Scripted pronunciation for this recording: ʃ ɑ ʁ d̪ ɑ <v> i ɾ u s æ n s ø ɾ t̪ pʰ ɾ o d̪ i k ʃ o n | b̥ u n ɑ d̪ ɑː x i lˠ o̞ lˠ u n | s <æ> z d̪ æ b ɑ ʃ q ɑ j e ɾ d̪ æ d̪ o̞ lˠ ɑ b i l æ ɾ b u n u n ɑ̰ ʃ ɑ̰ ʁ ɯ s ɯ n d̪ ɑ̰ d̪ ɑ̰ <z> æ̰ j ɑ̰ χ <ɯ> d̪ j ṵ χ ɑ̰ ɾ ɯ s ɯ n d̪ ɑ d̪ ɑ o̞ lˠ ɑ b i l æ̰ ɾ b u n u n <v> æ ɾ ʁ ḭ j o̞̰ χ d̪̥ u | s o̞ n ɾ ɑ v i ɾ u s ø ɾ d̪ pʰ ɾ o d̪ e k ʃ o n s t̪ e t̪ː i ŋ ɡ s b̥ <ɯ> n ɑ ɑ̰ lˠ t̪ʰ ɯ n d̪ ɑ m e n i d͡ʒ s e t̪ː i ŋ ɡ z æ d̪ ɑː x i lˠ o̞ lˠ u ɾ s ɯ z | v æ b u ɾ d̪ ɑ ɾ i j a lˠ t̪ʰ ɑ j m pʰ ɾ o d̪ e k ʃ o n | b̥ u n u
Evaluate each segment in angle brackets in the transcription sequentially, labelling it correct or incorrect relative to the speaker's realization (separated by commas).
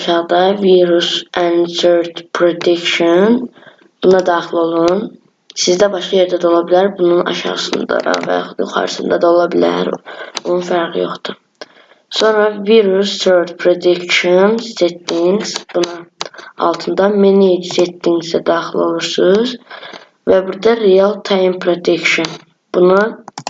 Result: correct, incorrect, incorrect, incorrect, incorrect, incorrect